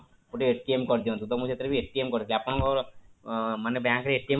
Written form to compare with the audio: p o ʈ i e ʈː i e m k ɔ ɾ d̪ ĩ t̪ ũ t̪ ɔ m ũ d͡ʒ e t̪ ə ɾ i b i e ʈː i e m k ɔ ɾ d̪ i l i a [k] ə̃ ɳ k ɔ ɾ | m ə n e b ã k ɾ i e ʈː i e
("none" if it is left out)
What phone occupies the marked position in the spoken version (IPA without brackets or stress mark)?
p